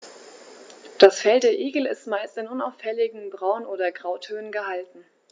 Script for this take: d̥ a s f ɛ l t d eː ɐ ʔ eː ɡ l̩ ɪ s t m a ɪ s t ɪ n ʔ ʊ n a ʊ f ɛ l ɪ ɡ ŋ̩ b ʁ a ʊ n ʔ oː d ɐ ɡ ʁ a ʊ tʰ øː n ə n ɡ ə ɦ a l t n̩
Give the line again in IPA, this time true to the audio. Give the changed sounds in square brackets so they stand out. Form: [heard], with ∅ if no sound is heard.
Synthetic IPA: d̥ a s f ɛ l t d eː ɐ ʔ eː ɡ l̩ ɪ s t m a ɪ s t ɪ n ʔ ʊ n a ʊ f ɛ l ɪ ɡ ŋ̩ b ʁ a ʊ n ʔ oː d ɐ ɡ ʁ a ʊ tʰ øː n ə n ɡ ə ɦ a l t n̩